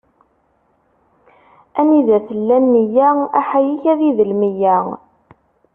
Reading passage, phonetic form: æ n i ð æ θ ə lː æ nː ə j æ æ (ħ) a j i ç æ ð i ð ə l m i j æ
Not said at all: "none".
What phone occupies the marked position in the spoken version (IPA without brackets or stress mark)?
ħ